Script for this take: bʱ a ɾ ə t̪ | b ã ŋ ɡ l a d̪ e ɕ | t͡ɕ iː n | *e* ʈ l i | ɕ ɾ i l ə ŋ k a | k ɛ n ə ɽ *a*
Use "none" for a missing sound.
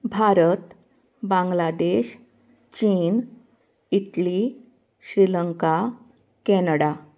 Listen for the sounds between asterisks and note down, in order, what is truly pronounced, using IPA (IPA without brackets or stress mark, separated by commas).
i, a